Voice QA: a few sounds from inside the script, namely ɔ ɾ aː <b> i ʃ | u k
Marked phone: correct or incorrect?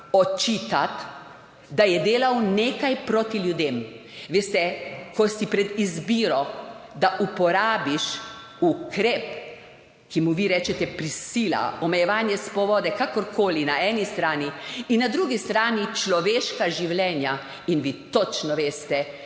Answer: correct